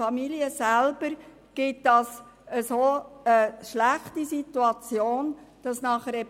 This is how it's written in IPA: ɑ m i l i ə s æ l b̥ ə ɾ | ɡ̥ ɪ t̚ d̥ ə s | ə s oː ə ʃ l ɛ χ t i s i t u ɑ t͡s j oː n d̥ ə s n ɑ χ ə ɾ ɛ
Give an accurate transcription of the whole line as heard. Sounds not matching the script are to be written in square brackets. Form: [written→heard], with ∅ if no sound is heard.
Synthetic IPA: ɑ m i l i ə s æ l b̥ ə ɾ | ɡ̥ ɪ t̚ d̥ [ə→ɑ] s | ə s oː ə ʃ l [ɛ→æ] χ t i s i t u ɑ t͡s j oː n d̥ [ə→ɑ] s n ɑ χ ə ɾ ɛ